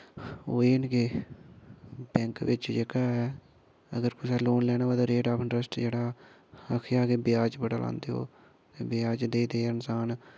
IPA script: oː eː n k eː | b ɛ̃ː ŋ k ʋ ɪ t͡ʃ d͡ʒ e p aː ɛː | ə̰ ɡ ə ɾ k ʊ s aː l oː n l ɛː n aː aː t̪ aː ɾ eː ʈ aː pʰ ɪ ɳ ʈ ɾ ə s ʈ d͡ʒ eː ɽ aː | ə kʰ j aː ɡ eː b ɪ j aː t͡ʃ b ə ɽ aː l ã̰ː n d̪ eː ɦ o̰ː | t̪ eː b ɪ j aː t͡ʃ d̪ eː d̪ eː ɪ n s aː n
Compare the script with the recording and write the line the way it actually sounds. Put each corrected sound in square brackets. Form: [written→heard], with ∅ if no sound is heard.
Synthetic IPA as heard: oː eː n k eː | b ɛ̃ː ŋ k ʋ ɪ t͡ʃ d͡ʒ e [p→k] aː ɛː | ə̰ ɡ ə ɾ k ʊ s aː l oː n l ɛː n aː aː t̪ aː ɾ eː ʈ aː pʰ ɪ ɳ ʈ ɾ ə s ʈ d͡ʒ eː ɽ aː | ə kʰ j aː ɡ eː b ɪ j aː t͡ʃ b ə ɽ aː l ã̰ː n d̪ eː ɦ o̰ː | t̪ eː b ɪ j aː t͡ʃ d̪ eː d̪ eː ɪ n s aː n